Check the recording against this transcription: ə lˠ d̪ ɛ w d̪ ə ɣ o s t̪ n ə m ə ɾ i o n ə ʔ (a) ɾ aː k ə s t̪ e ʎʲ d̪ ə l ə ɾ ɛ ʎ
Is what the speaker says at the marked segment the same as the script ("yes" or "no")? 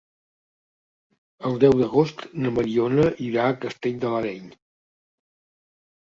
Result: no